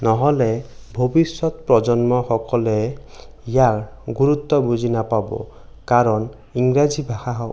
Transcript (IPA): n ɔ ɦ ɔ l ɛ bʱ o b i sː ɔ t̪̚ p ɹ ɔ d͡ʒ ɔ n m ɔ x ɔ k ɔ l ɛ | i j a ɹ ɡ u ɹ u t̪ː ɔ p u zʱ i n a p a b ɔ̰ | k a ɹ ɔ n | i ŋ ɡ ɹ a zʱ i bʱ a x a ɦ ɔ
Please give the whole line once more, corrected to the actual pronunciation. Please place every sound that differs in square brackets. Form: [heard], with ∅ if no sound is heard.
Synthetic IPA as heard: n ɔ ɦ ɔ l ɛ bʱ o b i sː ɔ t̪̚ p ɹ ɔ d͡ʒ ɔ n m ɔ x ɔ k ɔ l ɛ | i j a ɹ ɡ u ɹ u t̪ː ɔ [b] u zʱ i n a p a b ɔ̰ | k a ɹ ɔ n | i ŋ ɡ ɹ a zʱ i bʱ a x a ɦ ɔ

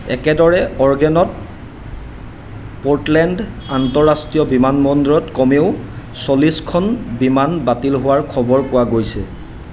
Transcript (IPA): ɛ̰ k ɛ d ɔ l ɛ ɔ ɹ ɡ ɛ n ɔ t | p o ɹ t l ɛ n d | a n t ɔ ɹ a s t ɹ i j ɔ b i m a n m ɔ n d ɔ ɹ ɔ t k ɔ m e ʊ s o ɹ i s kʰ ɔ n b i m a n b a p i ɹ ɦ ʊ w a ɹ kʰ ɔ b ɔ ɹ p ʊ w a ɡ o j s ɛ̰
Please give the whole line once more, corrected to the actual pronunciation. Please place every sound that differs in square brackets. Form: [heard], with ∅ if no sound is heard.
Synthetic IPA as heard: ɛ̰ k ɛ d ɔ [ɹ] ɛ ɔ ɹ ɡ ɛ n ɔ t | p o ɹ t l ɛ n d | a n t ɔ ɹ a s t ɹ i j ɔ b i m a n m ɔ n d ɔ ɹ ɔ t k ɔ m e ʊ s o [l] i s kʰ ɔ n b i m a n b a [t] i [l] ɦ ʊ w a ɹ kʰ ɔ b ɔ ɹ p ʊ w a ɡ o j s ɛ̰

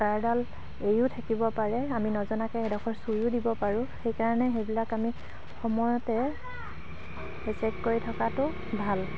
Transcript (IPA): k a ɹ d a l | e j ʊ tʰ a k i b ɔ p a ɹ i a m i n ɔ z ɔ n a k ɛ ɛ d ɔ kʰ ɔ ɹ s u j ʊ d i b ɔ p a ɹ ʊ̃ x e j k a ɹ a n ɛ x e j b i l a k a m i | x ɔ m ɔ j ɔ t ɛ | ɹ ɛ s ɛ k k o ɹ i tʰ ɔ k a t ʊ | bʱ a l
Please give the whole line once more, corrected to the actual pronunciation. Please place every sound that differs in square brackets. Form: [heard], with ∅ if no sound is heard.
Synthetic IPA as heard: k a ɹ d a l | e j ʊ tʰ a k i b ɔ p a ɹ [ɛ] a m i n ɔ z ɔ n a k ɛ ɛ d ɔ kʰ ɔ ɹ s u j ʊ d i b ɔ p a ɹ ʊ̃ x e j k a ɹ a n ɛ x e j b i l a k a m i | x ɔ m ɔ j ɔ t ɛ | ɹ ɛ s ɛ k k o ɹ i tʰ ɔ k a t ʊ | bʱ a l

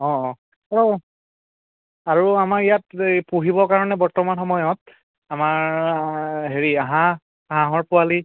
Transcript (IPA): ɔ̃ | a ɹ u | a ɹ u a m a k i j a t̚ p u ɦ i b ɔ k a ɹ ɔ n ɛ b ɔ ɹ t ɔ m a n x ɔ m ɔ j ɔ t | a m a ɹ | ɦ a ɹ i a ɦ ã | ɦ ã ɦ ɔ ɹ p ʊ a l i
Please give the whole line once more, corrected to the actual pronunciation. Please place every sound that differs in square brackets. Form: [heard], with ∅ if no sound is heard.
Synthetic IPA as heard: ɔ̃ | a ɹ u | a ɹ u a m a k i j a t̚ p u ɦ i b ɔ k a ɹ ɔ n ɛ b ɔ ɹ t ɔ m a n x ɔ m ɔ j ɔ t | a m a ɹ | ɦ [e] ɹ i a ɦ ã | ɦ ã ɦ ɔ ɹ p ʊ a l i

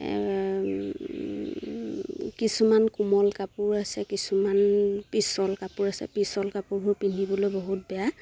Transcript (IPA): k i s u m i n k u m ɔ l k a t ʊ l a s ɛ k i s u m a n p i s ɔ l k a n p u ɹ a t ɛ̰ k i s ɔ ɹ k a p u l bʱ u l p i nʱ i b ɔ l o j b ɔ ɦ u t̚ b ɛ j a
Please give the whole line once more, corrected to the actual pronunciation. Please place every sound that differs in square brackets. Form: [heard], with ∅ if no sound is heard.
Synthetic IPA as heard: k i s u m [a] n k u m ɔ l k a [p] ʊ [ɹ] a s ɛ k i s u m a n p i s ɔ l k a [∅] p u ɹ a [s] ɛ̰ [p] i s ɔ [l] k a p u [ɹ] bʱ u [ɹ] p i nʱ i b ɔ l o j b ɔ ɦ u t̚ b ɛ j a

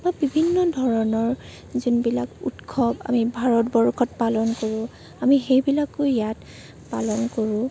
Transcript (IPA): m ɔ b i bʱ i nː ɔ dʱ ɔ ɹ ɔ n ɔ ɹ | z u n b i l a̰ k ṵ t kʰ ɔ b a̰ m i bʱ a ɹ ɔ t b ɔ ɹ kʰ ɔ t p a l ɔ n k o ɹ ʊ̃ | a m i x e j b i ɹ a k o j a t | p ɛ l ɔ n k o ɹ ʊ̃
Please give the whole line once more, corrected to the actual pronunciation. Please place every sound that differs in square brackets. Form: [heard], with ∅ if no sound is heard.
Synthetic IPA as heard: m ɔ b i bʱ i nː ɔ dʱ ɔ ɹ ɔ n ɔ ɹ | z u n b i l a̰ k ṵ t kʰ ɔ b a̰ m i bʱ a ɹ ɔ t b ɔ ɹ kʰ ɔ t p a l ɔ n k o ɹ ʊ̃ | a m i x e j b i [l] a k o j a t | p [a] l ɔ n k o ɹ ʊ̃

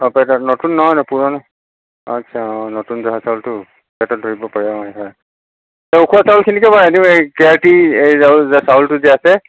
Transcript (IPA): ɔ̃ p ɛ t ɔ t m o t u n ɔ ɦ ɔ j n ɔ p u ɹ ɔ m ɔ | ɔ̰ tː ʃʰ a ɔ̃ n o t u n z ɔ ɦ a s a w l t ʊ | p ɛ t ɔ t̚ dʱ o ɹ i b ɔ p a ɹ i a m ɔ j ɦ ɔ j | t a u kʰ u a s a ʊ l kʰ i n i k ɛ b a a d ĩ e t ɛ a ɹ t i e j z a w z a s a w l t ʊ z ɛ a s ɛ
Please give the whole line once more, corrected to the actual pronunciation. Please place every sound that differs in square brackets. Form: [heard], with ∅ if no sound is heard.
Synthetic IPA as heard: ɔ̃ p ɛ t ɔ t [n] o t u [nː] ɔ ɦ ɔ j n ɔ p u ɹ ɔ [n] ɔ | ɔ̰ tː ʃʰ a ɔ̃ n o t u n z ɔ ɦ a s a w l t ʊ | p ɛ t ɔ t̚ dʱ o ɹ i b ɔ p a ɹ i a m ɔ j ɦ ɔ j | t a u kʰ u a s a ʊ l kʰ i n i k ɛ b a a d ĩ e [k] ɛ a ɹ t i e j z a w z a s a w l t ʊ z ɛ a s ɛ

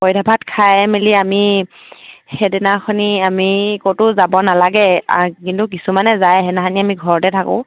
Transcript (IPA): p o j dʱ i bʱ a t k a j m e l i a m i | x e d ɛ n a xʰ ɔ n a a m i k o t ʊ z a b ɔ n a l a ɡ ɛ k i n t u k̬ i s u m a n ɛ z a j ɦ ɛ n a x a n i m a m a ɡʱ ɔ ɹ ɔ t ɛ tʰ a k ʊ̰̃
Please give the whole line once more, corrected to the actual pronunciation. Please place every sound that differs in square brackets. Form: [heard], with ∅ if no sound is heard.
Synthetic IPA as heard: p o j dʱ [a] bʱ a t [kʰ] a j m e l i a m i | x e d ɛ n a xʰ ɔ n [i] a m i k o t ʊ z a b ɔ n a l a ɡ ɛ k i n t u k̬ i s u m a n ɛ z a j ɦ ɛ n a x a n i [∅] a m [i] ɡʱ ɔ ɹ ɔ t ɛ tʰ a k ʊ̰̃

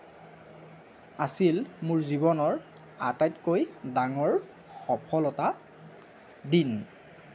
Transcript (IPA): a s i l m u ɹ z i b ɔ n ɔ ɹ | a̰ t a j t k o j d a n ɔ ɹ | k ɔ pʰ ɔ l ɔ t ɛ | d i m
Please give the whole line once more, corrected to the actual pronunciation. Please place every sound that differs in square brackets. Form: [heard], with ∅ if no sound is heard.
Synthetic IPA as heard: a s i l m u ɹ z i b ɔ n ɔ ɹ | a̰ t a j t k o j d a [ŋ] ɔ ɹ | [x] ɔ pʰ ɔ l ɔ t [a] | d i [n]

